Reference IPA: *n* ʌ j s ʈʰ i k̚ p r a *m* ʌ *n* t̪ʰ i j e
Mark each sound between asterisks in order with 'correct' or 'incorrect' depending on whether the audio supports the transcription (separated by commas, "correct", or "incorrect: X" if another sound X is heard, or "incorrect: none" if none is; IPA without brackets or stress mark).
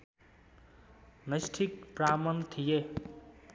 correct, correct, correct